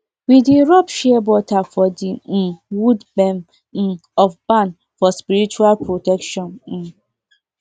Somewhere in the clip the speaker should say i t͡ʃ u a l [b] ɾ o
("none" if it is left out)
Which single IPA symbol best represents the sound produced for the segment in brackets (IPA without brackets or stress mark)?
p